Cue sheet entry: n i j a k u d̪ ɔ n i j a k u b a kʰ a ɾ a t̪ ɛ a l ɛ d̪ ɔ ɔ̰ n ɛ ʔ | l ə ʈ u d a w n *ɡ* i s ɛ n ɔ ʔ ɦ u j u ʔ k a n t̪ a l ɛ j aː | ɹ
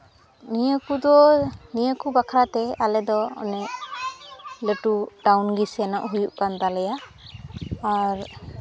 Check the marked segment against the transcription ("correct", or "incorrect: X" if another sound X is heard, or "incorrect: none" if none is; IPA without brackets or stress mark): correct